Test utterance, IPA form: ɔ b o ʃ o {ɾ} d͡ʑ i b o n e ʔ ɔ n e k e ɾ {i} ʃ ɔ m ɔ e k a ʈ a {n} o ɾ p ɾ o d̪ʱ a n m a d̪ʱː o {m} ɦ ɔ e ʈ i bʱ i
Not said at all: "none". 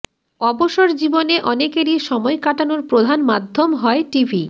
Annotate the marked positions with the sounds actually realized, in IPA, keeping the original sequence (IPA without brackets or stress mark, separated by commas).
ɾ, i, n, m